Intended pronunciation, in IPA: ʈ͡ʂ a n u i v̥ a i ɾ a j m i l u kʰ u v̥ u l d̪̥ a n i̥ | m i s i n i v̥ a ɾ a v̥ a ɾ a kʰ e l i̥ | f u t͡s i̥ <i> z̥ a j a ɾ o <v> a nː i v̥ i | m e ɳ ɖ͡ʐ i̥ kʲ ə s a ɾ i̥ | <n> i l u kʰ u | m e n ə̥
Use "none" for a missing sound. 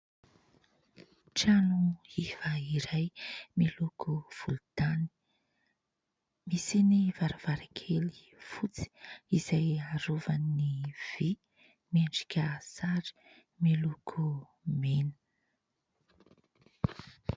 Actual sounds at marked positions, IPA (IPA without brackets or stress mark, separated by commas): i, v, m